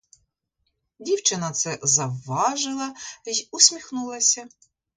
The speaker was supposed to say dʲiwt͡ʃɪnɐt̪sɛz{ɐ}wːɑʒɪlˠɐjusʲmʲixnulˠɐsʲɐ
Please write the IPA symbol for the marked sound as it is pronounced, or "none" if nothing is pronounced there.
ɐ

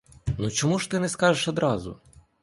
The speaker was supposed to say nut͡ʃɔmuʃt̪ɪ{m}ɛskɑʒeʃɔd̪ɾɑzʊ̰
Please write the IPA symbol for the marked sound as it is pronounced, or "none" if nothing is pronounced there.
n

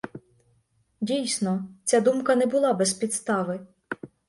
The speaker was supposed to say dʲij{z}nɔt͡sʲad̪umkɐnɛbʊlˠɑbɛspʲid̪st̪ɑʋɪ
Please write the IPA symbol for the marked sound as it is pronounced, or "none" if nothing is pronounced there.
s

